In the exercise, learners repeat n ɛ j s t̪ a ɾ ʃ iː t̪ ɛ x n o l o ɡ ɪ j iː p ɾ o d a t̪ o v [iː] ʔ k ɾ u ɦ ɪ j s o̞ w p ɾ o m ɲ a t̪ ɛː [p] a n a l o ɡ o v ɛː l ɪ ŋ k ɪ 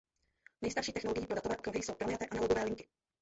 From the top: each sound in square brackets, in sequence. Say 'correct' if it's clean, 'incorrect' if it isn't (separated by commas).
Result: incorrect, incorrect